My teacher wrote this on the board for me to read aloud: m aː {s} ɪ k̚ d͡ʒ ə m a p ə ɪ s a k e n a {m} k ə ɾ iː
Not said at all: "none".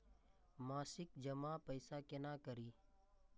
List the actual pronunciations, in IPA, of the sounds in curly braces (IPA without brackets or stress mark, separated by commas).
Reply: s, none